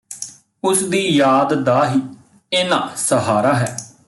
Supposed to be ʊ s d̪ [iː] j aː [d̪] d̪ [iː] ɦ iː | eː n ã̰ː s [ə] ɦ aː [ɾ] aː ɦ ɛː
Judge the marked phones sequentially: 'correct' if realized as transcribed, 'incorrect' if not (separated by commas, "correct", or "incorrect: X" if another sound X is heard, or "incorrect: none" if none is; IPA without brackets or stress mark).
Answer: correct, correct, incorrect: aː, correct, correct